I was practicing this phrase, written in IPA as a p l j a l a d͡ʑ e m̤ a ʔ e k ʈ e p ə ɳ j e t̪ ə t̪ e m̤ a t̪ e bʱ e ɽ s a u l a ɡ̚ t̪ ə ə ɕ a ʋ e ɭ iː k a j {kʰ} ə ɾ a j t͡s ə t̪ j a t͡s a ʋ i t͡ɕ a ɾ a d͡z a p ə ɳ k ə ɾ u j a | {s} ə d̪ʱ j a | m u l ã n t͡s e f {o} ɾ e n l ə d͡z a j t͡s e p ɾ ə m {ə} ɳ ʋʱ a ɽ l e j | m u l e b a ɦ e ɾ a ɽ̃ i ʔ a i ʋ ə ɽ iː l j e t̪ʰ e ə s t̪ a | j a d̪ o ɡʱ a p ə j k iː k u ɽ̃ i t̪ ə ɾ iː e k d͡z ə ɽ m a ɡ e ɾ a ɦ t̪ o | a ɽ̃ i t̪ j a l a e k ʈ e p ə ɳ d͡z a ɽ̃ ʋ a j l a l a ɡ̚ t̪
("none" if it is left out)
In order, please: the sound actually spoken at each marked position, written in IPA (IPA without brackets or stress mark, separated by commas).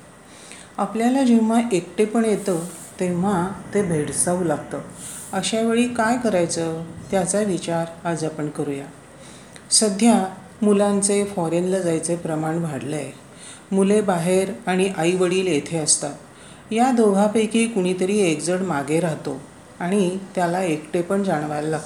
k, s, ɔ, a